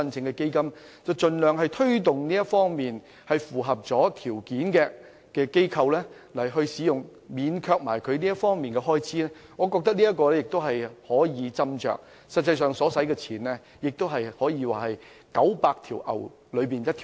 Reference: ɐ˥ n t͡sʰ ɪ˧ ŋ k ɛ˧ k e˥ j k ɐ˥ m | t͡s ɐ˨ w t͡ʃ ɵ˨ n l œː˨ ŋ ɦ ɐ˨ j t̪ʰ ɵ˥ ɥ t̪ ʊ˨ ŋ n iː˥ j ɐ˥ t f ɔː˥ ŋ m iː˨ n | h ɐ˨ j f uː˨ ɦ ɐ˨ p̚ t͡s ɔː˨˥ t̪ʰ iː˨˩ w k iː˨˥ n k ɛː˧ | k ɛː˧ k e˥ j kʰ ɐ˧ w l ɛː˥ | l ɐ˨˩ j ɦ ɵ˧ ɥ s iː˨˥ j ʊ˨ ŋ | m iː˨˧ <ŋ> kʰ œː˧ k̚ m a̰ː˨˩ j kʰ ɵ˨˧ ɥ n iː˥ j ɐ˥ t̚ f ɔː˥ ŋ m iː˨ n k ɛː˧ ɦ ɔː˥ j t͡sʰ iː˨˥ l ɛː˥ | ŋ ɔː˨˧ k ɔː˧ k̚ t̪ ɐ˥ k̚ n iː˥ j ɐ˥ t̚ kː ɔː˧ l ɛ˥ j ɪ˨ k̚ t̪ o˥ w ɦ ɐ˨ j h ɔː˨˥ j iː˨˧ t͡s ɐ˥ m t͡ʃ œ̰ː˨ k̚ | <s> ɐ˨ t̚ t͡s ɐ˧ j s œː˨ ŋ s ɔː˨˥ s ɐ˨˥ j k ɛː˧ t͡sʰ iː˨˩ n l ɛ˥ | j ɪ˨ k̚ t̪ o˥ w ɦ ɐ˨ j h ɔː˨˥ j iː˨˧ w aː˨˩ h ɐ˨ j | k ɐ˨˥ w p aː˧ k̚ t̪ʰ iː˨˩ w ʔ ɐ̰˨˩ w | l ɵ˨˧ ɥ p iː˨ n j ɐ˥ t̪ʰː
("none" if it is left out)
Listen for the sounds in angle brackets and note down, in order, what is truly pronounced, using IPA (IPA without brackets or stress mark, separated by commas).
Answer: n, s